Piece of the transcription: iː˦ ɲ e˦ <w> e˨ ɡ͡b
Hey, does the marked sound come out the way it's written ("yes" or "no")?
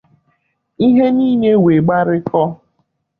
yes